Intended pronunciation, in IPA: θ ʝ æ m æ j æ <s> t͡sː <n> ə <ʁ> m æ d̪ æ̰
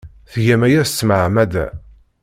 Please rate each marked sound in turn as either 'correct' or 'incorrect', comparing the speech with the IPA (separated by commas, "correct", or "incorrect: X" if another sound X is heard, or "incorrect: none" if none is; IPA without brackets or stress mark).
correct, incorrect: m, incorrect: ʕ